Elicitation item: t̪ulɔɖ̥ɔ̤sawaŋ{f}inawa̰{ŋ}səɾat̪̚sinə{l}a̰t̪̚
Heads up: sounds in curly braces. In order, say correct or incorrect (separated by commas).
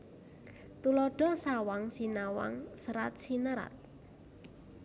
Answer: incorrect, correct, incorrect